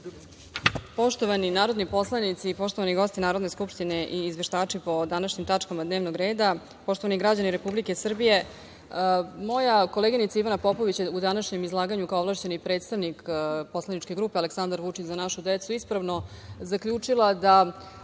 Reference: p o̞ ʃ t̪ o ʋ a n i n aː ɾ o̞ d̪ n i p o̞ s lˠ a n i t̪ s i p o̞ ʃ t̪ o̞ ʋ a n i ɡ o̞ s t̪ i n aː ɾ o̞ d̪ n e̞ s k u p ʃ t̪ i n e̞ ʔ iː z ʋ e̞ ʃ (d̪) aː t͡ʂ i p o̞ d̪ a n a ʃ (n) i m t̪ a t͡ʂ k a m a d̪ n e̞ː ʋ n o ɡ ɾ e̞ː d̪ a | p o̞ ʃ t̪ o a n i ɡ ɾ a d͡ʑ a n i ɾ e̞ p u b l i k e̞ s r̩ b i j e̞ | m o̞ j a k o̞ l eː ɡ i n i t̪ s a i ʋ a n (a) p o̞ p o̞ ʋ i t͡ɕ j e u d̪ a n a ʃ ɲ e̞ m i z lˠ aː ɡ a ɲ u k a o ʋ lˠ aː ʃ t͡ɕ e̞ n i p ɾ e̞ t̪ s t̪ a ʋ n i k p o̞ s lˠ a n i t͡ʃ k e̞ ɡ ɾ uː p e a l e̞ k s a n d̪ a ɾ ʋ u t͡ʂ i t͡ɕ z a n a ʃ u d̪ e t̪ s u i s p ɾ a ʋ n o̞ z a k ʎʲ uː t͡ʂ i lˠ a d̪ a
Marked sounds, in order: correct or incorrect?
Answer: incorrect: t̪, incorrect: ɲ, correct

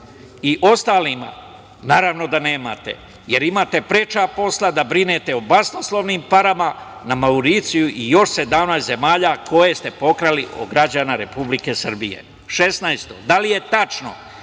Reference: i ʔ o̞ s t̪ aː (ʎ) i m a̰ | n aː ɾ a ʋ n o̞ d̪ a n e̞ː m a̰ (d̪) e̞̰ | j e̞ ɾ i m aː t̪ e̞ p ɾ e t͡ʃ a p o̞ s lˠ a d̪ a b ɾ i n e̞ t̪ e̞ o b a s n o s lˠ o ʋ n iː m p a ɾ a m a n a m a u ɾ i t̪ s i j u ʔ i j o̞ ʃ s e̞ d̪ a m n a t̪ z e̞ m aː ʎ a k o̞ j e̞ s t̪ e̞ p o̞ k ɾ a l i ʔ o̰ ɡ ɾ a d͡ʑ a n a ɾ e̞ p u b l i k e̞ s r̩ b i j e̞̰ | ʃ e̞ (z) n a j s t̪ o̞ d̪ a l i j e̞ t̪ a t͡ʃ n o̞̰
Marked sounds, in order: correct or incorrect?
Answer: incorrect: l, incorrect: t̪, incorrect: s

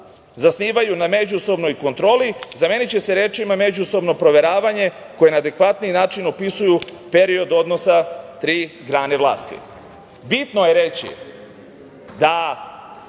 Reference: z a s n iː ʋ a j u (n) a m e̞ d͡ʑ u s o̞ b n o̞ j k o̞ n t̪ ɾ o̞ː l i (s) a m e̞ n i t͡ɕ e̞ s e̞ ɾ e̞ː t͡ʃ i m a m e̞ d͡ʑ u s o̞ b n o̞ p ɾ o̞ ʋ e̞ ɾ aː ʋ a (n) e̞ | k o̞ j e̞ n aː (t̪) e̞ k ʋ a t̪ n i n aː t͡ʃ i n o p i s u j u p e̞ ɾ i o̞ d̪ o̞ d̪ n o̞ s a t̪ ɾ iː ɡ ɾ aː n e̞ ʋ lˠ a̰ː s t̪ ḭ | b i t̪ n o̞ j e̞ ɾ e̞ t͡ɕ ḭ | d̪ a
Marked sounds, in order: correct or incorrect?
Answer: correct, incorrect: z, incorrect: ɲ, incorrect: d̪

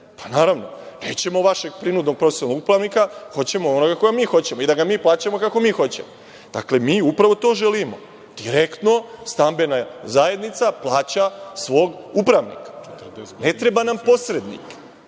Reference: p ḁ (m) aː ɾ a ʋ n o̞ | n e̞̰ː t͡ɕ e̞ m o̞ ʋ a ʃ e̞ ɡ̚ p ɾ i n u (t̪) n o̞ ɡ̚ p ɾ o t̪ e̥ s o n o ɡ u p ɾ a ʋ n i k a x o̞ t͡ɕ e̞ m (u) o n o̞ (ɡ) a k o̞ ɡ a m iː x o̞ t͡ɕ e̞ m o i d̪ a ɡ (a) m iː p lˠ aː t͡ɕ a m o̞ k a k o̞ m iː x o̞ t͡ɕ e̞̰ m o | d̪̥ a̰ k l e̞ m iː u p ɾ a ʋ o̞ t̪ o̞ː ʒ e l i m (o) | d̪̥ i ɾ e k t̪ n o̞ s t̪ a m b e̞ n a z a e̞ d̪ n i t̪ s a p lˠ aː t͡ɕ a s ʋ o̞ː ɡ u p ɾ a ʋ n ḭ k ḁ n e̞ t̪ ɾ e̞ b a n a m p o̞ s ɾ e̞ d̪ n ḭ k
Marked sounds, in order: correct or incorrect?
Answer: incorrect: n, incorrect: d̪, incorrect: o, correct, correct, correct

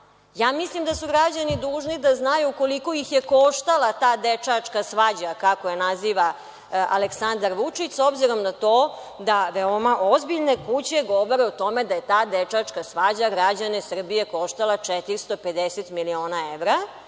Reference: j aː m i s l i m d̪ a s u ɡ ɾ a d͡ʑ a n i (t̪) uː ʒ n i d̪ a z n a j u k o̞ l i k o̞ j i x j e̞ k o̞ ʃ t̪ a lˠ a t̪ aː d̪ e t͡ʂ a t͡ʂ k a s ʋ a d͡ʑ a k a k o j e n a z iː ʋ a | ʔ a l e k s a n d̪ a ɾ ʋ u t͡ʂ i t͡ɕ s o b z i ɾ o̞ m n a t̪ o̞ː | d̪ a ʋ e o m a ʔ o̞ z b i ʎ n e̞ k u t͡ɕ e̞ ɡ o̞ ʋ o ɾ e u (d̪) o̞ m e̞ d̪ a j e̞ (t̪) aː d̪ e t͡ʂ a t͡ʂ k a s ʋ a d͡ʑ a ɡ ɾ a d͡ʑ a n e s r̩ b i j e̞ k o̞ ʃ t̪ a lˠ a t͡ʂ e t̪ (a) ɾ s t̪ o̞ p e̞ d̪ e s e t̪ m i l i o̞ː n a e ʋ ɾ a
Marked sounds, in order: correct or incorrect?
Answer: incorrect: d̪, incorrect: t̪, correct, incorrect: i

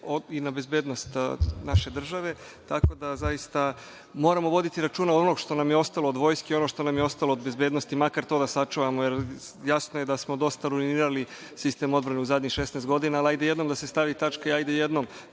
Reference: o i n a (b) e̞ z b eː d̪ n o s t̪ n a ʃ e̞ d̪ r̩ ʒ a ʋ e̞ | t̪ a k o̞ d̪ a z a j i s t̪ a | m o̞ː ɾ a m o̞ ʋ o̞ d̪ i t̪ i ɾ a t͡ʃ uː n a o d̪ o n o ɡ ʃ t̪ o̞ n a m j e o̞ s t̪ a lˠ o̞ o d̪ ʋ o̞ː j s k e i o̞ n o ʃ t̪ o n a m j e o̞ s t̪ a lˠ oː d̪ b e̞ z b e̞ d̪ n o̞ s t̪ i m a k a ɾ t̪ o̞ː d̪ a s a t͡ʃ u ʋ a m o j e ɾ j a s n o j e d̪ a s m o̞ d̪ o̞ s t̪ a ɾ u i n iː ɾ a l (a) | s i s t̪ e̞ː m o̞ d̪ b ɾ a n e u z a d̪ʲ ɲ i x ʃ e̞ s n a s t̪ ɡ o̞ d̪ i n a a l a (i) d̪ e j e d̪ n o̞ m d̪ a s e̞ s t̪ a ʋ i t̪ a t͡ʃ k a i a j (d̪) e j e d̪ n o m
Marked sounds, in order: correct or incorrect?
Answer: correct, incorrect: i, incorrect: j, correct

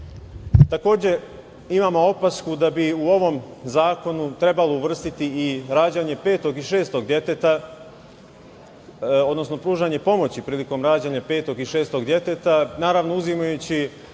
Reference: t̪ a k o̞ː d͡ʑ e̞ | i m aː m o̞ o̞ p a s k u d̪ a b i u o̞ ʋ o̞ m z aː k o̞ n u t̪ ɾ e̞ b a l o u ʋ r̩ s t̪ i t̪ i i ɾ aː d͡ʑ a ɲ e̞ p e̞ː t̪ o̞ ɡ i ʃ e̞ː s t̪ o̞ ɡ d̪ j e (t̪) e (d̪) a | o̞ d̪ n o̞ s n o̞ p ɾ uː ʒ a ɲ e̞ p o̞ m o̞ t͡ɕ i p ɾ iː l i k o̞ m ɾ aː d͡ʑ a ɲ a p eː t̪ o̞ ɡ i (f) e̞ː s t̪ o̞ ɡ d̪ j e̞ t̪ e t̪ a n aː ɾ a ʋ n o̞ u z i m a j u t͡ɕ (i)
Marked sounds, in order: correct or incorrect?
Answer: correct, incorrect: t̪, incorrect: ʃ, correct

